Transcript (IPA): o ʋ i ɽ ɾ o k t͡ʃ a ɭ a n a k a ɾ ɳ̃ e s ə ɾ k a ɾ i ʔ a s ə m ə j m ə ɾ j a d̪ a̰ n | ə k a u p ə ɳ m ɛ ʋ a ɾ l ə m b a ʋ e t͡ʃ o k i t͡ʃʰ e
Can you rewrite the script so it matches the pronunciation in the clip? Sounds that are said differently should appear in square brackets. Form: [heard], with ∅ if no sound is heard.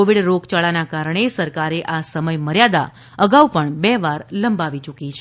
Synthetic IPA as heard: o ʋ i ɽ ɾ o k t͡ʃ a ɭ a n a k a ɾ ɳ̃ e s ə ɾ k a ɾ [e] ʔ a s ə m ə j m ə ɾ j a d̪ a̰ [∅] | ə [ɡ] a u p ə ɳ [b] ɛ ʋ a ɾ l ə m b a ʋ [i] t͡ʃ [u] k i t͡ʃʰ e